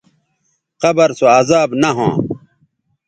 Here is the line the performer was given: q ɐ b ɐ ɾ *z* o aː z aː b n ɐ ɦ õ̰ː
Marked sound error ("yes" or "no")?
yes